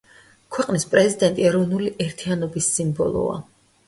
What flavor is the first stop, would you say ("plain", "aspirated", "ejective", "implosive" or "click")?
aspirated